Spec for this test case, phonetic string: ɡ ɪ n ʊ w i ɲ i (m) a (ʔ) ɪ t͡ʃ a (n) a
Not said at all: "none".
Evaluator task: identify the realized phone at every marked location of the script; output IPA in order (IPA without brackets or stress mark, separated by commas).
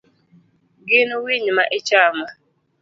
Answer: m, ʔ, m